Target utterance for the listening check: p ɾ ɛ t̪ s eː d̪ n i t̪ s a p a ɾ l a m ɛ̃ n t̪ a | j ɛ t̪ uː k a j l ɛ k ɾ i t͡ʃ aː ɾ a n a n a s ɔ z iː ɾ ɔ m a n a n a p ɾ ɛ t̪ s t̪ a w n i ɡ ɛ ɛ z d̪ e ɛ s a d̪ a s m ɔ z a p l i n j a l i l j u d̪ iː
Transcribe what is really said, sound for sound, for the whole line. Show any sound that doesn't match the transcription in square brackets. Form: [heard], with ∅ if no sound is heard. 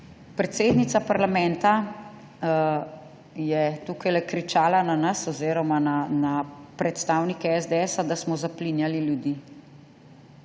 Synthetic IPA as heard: p ɾ ɛ t̪ s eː d̪ n i t̪ s a p a ɾ l a m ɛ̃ n t̪ a | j ɛ t̪ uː k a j l ɛ k ɾ i t͡ʃ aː [l] a n a n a s ɔ z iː ɾ ɔ m a n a n a p ɾ ɛ t̪ s t̪ a w n i [k] ɛ ɛ z d̪ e ɛ s a d̪ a s m ɔ z a p l i n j a l i l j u d̪ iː

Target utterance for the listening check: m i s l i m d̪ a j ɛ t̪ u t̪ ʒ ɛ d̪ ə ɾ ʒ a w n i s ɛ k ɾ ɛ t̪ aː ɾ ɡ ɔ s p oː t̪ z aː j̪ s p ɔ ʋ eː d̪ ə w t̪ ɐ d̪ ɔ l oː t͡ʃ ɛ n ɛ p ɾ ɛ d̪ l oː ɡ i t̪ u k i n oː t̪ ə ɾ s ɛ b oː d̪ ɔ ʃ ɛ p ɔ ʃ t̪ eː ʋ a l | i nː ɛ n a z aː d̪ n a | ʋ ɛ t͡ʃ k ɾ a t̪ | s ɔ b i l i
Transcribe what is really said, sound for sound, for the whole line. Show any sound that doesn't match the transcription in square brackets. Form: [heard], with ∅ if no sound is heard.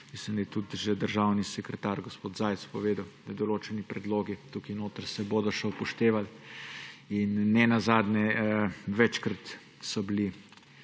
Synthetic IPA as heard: m i s l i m d̪ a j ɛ t̪ u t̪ ʒ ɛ d̪ ə ɾ ʒ a w n i s ɛ k ɾ ɛ t̪ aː ɾ ɡ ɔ s p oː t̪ z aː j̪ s p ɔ ʋ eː d̪ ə w [d̪] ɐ d̪ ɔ l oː t͡ʃ ɛ n [i] p ɾ ɛ d̪ l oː ɡ i t̪ u k i n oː t̪ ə ɾ s ɛ b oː d̪ ɔ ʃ ɛ p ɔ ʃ t̪ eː ʋ a l | i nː ɛ n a z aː d̪ n [ɛ] | ʋ ɛ t͡ʃ k ɾ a t̪ | s ɔ b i l i

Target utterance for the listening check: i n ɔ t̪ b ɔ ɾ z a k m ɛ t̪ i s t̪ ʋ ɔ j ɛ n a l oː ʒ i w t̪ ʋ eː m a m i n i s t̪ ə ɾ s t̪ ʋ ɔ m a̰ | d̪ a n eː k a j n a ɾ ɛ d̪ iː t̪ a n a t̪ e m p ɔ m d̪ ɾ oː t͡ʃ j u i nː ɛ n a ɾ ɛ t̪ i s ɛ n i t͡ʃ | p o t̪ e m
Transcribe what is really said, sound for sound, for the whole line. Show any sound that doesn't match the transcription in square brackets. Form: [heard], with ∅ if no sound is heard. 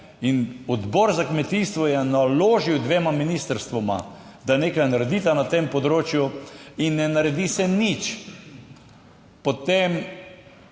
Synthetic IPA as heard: i n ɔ [d̪] b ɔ ɾ z a k m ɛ t̪ i s t̪ ʋ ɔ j ɛ n a l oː ʒ i w [d̪] ʋ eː m a m i n i s t̪ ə ɾ s t̪ ʋ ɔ m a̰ | d̪ a n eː k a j n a ɾ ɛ d̪ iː t̪ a n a t̪ e m p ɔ [∅] d̪ ɾ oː t͡ʃ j u i nː ɛ n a ɾ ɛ [d̪] i s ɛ n i t͡ʃ | p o t̪ e m

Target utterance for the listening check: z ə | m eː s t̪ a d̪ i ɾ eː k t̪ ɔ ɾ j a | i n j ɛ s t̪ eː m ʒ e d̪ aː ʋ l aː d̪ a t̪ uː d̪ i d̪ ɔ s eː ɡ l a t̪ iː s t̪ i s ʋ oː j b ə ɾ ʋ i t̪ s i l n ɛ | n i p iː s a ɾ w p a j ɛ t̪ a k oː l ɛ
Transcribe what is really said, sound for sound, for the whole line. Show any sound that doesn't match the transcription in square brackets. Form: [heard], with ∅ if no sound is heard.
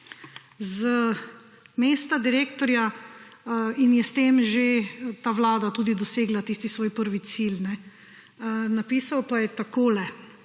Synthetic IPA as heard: z ə | m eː s t̪ a d̪ i ɾ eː k t̪ ɔ ɾ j a | i n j ɛ s t̪ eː m ʒ e [t̪] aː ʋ l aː d̪ a t̪ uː d̪ i d̪ ɔ s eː ɡ l a t̪ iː s t̪ i s ʋ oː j [p] ə ɾ ʋ i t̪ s i l n ɛ | n [a] p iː s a [∅] w p a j ɛ t̪ a k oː l ɛ

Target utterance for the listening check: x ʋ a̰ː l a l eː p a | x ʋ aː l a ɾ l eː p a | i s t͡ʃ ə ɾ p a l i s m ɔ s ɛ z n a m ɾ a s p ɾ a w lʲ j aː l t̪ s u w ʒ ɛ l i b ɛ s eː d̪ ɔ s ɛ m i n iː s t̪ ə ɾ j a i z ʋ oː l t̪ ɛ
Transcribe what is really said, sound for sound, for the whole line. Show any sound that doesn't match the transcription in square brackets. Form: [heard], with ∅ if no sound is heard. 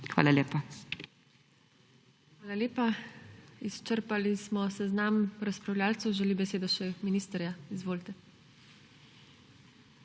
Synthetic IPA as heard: x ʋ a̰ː l a l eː p a | x ʋ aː l a [∅] l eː p a | i s t͡ʃ ə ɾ p a l i s m ɔ s ɛ z n a m ɾ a s p ɾ a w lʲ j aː l t̪ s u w ʒ ɛ l i b ɛ s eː d̪ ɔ [ʃ] ɛ m i n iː s t̪ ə ɾ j a i z ʋ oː l t̪ ɛ

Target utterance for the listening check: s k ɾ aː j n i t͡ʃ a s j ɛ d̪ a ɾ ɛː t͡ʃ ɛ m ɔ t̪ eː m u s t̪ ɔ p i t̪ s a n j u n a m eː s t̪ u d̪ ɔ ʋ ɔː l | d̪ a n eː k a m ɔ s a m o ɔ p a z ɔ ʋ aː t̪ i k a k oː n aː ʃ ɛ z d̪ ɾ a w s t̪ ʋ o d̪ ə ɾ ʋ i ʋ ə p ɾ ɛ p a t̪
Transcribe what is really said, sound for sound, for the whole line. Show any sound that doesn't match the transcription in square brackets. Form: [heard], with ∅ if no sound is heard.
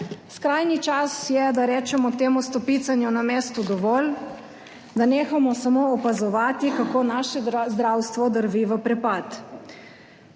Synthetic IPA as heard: s k ɾ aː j n i t͡ʃ a s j ɛ d̪ a ɾ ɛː t͡ʃ ɛ m ɔ t̪ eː m u s t̪ ɔ p i t̪ s a n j u n a m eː s t̪ u d̪ ɔ ʋ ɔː l | d̪ a n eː [x] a m ɔ s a m o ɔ p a z ɔ ʋ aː t̪ i k a k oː n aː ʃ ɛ z d̪ ɾ a w s t̪ ʋ [ɔ] d̪ ə ɾ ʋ i ʋ ə p ɾ ɛ p a t̪

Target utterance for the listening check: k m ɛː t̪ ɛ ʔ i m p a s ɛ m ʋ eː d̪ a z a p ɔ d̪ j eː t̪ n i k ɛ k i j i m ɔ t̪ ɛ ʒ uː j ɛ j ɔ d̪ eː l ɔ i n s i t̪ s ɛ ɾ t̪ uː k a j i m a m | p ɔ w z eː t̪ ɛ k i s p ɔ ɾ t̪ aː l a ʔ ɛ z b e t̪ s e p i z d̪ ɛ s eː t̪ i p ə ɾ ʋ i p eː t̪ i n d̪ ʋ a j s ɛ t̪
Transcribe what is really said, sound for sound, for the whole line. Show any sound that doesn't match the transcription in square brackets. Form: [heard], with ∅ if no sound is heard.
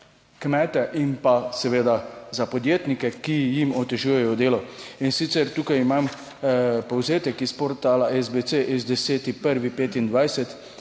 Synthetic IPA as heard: k m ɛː t̪ ɛ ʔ i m p a s ɛ [∅] ʋ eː d̪ a z a p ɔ d̪ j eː t̪ n i k ɛ k i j i m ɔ t̪ ɛ ʒ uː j ɛ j ɔ d̪ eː l ɔ i n s i t̪ s ɛ ɾ t̪ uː k a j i m a m | p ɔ w z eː t̪ ɛ k i s p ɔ ɾ t̪ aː l a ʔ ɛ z b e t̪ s e [ʔ] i z d̪ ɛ s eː t̪ i p ə ɾ ʋ i p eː t̪ i n d̪ ʋ a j s ɛ t̪

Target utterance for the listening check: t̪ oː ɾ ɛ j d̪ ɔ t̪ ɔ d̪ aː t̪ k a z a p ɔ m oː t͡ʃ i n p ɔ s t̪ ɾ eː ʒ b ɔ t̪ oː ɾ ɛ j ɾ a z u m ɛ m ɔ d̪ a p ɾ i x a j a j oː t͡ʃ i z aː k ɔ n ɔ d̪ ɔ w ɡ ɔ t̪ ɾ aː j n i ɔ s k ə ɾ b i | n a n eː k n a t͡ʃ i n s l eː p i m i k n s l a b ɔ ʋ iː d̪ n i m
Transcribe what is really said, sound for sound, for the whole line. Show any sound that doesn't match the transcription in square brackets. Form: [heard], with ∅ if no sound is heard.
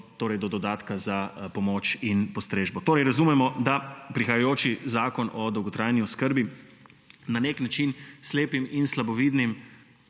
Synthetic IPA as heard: t̪ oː ɾ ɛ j d̪ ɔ [d̪] ɔ d̪ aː t̪ k a z a p ɔ m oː t͡ʃ i n p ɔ s t̪ ɾ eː ʒ b ɔ t̪ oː ɾ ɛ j ɾ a z u m ɛ m ɔ d̪ a p ɾ i x a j a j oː t͡ʃ i z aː k ɔ n ɔ d̪ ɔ w ɡ ɔ t̪ ɾ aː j n i ɔ s k ə ɾ b i | n a n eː k n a t͡ʃ i n s l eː p i m i [∅] n s l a b ɔ ʋ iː d̪ n i m

